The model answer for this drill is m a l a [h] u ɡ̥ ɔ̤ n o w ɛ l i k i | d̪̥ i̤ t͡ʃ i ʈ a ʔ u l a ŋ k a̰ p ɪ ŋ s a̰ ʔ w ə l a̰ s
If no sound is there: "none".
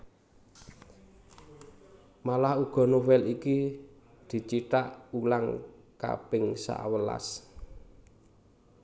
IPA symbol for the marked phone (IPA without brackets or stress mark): h